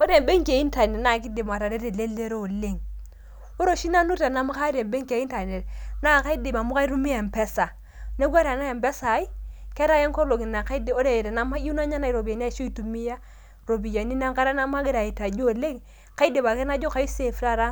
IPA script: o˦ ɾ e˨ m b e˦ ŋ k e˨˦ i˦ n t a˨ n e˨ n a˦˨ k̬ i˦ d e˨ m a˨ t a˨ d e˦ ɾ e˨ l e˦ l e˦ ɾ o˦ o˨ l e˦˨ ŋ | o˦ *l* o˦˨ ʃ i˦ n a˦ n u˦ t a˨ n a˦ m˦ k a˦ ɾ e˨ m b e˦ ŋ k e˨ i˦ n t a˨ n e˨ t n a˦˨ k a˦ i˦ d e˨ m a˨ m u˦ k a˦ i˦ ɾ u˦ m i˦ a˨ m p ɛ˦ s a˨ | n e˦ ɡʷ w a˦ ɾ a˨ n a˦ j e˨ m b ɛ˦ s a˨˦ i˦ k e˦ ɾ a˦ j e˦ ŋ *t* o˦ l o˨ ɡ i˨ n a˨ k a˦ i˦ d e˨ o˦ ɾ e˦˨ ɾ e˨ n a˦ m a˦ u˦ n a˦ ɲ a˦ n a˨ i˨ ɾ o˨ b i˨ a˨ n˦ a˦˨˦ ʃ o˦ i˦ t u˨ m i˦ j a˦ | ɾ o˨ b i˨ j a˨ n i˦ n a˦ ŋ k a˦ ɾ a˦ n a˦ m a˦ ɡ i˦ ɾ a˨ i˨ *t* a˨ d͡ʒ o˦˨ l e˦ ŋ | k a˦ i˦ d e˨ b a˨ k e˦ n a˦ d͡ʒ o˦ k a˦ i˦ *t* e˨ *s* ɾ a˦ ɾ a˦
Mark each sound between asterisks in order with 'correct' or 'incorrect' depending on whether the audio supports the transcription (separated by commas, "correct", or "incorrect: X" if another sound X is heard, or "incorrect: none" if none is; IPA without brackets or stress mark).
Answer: incorrect: ɾ, incorrect: k, correct, incorrect: s, incorrect: f